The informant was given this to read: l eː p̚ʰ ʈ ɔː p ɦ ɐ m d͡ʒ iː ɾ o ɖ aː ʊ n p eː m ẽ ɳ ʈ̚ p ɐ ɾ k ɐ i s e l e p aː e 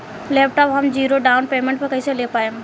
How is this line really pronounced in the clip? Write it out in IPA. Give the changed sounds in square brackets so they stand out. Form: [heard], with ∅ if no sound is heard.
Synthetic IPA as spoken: l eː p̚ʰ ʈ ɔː p ɦ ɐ m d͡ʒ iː ɾ o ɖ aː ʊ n p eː m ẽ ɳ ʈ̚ p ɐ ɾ k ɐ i s e l e p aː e